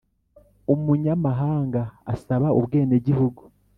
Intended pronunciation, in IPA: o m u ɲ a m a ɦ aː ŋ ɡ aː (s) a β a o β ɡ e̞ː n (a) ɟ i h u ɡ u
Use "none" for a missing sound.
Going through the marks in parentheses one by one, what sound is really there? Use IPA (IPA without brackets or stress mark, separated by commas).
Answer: s, e